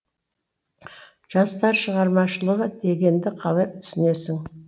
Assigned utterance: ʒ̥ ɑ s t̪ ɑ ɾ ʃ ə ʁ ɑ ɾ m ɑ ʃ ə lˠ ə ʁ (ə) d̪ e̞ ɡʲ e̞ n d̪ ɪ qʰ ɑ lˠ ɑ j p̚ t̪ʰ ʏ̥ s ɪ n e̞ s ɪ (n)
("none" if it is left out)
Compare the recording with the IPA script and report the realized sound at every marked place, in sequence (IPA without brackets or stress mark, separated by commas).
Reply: ə, ŋ